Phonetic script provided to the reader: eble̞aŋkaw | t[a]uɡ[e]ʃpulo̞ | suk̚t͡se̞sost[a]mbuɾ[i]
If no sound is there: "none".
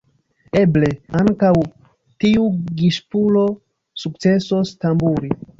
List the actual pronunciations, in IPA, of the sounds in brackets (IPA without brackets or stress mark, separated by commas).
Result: i, i, a, i